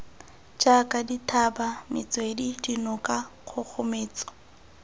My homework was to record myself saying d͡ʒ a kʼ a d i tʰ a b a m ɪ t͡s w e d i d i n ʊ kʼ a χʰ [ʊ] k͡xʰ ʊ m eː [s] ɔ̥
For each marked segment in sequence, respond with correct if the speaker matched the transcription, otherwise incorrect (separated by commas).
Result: correct, incorrect